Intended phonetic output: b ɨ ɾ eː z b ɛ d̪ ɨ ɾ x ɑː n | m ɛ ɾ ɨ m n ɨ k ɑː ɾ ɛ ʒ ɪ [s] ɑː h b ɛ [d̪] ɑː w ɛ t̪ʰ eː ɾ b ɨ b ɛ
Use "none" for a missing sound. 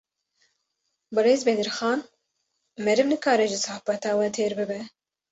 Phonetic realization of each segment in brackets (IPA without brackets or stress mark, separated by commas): s, t̪